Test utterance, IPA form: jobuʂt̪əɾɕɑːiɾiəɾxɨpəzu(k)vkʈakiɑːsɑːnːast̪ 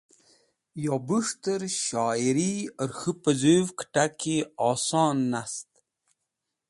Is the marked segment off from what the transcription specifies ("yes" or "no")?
yes